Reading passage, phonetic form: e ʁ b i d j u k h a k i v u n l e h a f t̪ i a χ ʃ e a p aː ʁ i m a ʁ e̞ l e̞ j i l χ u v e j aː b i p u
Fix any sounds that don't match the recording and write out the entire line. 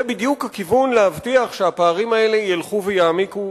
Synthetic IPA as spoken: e b i d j u k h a k i v u n l e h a v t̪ i a χ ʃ e a p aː ʁ i m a e̞ l e̞ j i l χ u v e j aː m i k u